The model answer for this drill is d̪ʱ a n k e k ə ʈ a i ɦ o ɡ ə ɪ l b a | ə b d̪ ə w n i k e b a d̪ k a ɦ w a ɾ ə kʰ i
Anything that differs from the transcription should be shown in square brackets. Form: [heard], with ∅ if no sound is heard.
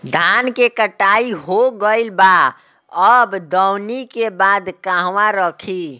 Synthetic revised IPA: d̪ʱ a n k e k ə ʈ a i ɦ o ɡ ə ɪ l b a | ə b d̪ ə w n i k e b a d̪ k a ɦ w a ɾ ə kʰ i